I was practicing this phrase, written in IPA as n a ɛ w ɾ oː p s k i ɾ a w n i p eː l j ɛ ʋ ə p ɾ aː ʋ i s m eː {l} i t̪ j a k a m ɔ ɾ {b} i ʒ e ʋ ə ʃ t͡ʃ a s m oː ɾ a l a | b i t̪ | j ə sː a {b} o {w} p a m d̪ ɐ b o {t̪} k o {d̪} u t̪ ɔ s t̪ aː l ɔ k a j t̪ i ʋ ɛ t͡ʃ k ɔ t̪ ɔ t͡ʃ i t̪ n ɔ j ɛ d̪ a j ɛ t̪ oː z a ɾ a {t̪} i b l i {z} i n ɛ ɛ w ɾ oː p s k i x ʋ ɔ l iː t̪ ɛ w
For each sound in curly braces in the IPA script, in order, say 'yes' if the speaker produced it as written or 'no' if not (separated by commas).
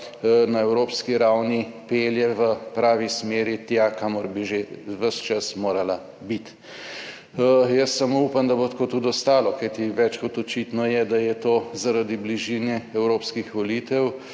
no, yes, no, no, yes, no, no, no